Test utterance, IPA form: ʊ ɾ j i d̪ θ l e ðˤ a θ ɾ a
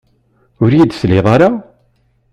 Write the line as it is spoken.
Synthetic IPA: ʊ ɾ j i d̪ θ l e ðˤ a ɾ a